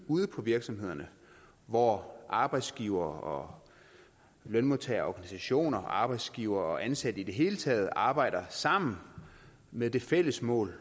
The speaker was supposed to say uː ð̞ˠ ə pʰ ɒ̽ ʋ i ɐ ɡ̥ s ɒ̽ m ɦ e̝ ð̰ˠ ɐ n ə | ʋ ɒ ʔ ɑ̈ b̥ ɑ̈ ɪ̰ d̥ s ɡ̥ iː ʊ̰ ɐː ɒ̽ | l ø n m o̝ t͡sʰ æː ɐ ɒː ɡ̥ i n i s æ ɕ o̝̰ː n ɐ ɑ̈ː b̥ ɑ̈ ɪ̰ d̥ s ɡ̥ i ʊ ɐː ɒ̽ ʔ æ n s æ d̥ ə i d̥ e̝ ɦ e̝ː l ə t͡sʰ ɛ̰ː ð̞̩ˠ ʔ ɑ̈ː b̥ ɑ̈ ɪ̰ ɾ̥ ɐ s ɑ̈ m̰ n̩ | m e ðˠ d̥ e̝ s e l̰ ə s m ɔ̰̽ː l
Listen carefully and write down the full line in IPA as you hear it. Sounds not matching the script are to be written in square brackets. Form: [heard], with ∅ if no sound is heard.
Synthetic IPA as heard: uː ð̞ˠ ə pʰ ɒ̽ ʋ i ɐ ɡ̥ s ɒ̽ m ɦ e̝ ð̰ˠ ɐ n ə | ʋ ɒ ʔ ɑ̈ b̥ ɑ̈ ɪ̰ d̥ s ɡ̥ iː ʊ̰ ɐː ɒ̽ | l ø n m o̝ t͡sʰ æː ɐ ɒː ɡ̥ [æ] n i s æ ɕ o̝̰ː n ɐ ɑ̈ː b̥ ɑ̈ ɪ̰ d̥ s ɡ̥ i ʊ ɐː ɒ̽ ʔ æ n s æ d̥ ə i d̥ e̝ ɦ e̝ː l ə t͡sʰ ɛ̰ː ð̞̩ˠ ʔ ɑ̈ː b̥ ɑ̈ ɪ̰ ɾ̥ ɐ s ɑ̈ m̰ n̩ | m e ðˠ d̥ e̝ [f] e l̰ ə s m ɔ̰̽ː l